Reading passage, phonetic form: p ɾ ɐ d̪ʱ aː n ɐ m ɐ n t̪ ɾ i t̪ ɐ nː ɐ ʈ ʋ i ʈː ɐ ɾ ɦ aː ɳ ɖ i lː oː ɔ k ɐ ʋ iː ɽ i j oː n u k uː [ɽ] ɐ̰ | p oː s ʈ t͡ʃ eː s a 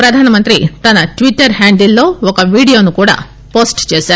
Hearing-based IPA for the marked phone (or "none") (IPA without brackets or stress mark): ɽ